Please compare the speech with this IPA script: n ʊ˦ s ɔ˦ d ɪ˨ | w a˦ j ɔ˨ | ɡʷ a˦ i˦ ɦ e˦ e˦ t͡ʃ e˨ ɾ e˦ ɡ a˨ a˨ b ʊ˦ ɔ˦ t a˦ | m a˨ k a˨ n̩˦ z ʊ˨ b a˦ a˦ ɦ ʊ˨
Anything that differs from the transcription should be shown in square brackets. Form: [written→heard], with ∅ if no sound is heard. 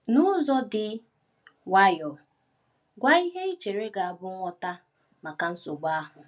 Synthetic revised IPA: n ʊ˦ [s→z] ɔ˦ d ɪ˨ | w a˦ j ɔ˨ | ɡʷ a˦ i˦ ɦ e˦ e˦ t͡ʃ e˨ ɾ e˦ ɡ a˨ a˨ b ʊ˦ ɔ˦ t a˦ | m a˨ k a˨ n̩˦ [z→s] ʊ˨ [b→ɡ͡b] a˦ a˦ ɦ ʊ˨